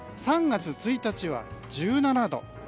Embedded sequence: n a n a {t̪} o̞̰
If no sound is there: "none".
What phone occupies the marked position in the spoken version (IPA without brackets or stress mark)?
d̪